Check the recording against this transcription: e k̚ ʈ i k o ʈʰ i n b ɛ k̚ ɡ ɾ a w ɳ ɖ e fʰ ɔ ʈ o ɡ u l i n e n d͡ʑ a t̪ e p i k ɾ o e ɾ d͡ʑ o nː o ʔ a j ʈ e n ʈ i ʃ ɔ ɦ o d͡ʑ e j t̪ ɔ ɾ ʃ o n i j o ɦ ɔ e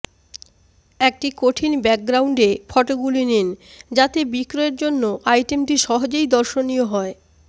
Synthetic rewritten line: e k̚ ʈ i k o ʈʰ i n b ɛ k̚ ɡ ɾ a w ɳ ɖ e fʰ ɔ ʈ o ɡ u l i n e n d͡ʑ a t̪ e b i k ɾ o e ɾ d͡ʑ o nː o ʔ a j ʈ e m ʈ i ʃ ɔ ɦ o d͡ʑ e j d̪ ɔ ɾ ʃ o n i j o ɦ ɔ e